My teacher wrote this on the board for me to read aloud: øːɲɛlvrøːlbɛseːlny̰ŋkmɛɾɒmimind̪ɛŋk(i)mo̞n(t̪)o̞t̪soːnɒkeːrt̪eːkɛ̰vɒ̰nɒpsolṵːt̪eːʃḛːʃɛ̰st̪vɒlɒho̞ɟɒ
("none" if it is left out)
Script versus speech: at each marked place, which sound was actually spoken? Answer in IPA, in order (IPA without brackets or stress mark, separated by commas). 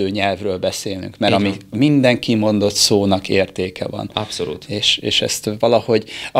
i, d̪